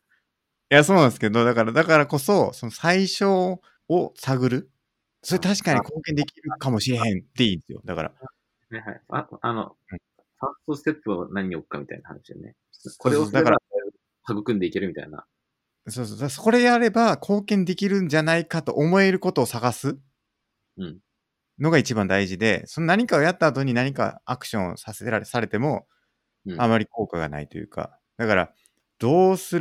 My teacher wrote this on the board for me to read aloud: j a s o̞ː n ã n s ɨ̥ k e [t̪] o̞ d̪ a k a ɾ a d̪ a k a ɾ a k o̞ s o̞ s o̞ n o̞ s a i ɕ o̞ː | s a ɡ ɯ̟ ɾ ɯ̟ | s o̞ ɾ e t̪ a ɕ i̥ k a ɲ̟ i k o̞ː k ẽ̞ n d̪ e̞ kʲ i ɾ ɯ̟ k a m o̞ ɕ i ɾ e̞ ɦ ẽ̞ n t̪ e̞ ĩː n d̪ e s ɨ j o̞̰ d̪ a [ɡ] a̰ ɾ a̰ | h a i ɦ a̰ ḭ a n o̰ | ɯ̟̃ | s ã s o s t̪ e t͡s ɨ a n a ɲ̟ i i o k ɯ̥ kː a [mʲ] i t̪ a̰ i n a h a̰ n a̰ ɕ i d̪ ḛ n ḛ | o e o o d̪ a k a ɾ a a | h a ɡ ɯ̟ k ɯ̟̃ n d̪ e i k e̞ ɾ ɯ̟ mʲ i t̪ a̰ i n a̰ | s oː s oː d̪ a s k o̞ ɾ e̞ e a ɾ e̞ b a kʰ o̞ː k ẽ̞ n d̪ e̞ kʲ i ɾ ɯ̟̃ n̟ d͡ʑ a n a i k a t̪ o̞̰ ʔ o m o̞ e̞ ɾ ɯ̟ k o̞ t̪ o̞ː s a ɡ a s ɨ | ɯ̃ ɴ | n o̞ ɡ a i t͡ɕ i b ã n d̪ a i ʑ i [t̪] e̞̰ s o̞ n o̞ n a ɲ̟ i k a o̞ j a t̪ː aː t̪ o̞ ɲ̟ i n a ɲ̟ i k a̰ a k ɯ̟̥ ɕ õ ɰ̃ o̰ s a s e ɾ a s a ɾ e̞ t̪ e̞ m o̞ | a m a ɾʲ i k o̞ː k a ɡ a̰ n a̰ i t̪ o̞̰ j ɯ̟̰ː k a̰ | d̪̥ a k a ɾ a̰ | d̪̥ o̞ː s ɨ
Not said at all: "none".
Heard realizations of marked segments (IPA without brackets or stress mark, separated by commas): d̪, k, mʲ, d̪